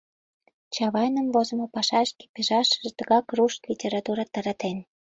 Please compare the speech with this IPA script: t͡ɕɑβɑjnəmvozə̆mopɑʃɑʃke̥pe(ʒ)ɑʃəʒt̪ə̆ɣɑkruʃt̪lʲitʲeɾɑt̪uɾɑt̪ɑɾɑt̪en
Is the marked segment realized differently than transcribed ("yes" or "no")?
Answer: no